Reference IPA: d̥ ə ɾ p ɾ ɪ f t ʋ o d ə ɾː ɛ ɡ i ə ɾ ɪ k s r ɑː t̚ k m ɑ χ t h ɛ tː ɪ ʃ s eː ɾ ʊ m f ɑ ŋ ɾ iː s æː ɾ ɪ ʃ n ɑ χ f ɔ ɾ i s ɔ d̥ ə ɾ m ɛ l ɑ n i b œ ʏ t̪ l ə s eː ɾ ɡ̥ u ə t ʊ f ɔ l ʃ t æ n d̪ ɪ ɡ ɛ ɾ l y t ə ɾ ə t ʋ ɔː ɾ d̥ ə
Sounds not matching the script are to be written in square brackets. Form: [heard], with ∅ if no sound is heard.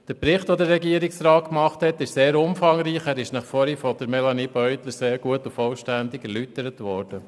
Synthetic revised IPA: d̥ ə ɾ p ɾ ɪ [χ] t ʋ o d ə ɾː ɛ ɡ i ə ɾ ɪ k s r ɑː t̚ k m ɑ χ t h ɛ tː ɪ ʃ s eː ɾ ʊ m f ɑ ŋ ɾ iː [χ] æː ɾ ɪ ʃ n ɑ χ f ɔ ɾ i [f] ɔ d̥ ə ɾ m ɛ l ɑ n i b œ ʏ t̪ l ə s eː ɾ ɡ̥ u ə t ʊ f ɔ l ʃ t æ n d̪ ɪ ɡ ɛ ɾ l y t ə ɾ ə t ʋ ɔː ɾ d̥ ə